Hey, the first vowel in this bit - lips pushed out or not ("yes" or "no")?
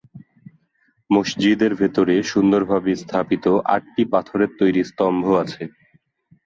yes